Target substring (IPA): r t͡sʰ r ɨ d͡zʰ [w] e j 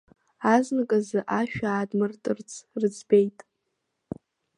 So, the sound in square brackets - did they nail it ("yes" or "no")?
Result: no